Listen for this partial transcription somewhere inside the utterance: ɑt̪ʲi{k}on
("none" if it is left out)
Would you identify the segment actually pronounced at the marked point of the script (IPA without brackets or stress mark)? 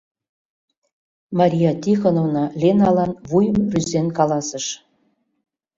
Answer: x